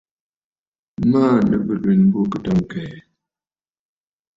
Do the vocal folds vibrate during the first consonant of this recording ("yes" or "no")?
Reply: yes